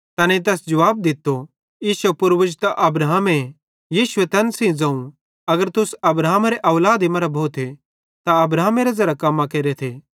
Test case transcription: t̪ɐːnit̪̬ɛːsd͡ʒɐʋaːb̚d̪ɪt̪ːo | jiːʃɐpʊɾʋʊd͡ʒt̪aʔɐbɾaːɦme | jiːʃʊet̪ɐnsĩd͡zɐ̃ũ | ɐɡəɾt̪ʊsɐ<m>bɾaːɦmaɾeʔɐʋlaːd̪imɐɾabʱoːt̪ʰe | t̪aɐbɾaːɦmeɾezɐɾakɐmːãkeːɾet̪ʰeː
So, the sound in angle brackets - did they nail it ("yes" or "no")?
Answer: no